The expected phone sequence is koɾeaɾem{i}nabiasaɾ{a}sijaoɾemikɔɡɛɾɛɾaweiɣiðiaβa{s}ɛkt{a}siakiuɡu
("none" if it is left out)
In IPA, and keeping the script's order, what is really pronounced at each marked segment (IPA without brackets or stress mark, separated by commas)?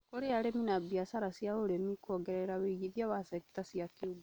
i, a, s, a